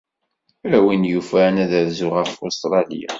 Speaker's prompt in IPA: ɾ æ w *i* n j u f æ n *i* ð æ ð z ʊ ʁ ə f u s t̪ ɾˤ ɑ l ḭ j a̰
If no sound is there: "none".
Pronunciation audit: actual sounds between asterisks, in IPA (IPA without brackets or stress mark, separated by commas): i, æ